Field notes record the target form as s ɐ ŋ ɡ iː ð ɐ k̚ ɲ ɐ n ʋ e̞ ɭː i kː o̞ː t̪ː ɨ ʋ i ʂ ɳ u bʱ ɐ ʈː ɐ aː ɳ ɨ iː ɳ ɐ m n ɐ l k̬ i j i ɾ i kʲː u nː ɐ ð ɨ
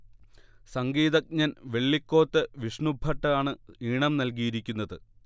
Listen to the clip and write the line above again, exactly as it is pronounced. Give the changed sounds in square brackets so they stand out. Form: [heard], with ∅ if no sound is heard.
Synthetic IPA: s ɐ ŋ ɡ iː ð ɐ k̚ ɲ ɐ n ʋ e̞ ɭː i kː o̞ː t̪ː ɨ ʋ i ʂ ɳ u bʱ ɐ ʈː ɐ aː ɳ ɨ iː ɳ ɐ m n ɐ l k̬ i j i ɾ i kʲː u nː ɐ ð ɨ